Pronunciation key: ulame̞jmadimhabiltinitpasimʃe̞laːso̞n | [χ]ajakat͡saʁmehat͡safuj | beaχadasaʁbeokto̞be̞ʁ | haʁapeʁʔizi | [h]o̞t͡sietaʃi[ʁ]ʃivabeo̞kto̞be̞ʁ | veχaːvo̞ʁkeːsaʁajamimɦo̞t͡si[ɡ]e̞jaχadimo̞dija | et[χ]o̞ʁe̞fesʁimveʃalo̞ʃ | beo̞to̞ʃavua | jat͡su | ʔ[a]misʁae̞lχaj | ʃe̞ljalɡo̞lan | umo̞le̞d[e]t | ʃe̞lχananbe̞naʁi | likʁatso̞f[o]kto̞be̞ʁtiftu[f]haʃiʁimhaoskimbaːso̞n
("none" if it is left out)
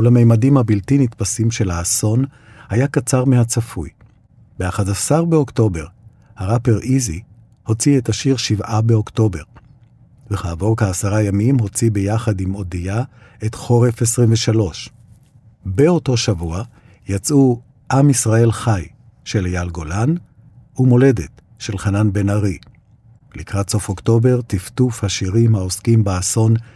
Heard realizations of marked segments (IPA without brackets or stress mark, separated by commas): h, h, ʁ, b, χ, a, e, o, f